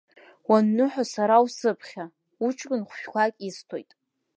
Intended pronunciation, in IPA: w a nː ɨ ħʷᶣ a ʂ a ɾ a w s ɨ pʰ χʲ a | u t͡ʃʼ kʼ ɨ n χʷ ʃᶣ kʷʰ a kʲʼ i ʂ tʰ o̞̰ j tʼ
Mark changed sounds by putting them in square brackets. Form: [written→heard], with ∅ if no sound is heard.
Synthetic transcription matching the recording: w a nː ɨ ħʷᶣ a [ʂ→s] a ɾ a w s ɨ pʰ χʲ a | u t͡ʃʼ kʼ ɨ n χʷ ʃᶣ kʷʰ a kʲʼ i [ʂ→s] tʰ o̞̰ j tʼ